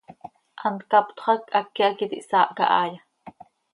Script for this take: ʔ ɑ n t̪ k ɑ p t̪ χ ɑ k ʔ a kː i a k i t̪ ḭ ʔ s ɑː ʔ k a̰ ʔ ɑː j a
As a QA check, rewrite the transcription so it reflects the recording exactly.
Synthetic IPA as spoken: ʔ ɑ n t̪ k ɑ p t̪ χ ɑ k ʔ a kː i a k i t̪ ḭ ʔ s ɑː ʔ k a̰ ʔ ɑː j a

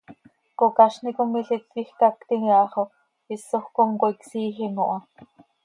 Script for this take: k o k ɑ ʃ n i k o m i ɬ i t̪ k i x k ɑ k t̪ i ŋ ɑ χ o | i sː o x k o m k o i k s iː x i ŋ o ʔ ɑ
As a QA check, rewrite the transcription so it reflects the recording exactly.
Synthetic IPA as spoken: k o k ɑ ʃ n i k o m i ɬ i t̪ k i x k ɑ k t̪ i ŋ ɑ χ o | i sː o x k o ŋ k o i k s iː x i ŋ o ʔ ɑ

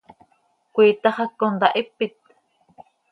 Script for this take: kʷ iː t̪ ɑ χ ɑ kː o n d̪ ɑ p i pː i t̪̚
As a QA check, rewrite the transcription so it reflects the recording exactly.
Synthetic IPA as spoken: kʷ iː t̪ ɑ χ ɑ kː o n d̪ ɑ ʔ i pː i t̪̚

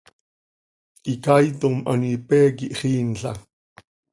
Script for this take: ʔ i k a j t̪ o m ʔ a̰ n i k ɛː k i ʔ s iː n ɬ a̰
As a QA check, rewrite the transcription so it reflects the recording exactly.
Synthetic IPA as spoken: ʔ i k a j t̪ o m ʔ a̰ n i p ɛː k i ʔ χ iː n ɬ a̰

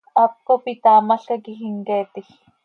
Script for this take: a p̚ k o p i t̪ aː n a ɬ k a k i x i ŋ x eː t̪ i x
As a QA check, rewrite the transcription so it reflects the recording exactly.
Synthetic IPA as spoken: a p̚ k o p i t̪ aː m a ɬ k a k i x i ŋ k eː t̪ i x

